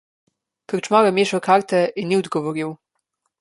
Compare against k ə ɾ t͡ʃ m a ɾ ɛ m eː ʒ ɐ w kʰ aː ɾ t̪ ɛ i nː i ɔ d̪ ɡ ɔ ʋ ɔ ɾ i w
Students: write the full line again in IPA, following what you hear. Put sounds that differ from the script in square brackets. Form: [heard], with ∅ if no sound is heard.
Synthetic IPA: k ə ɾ t͡ʃ m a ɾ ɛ m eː [ʃ] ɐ w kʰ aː ɾ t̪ ɛ i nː i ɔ d̪ ɡ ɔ ʋ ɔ ɾ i w